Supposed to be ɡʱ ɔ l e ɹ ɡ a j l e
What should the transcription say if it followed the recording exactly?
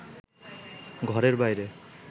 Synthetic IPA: ɡʱ ɔ ɾ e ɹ b a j ɾ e